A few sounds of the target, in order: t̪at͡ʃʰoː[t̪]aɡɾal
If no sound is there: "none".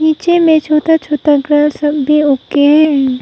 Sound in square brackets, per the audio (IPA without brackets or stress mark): t̪